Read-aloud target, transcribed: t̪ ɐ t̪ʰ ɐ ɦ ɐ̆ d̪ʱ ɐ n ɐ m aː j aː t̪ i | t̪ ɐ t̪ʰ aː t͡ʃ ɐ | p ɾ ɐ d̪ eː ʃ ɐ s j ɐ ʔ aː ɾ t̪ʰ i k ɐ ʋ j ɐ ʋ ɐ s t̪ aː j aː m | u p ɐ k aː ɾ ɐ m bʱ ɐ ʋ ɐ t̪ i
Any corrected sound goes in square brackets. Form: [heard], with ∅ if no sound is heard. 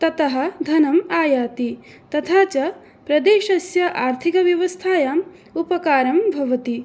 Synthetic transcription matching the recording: t̪ ɐ [t̪] ɐ ɦ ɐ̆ d̪ʱ ɐ n ɐ m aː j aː t̪ i | t̪ ɐ t̪ʰ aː t͡ʃ ɐ | p ɾ ɐ d̪ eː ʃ ɐ s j ɐ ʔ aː ɾ t̪ʰ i k ɐ ʋ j ɐ ʋ ɐ s [t̪ʰ] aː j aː m | u p ɐ k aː ɾ ɐ m bʱ ɐ ʋ ɐ t̪ i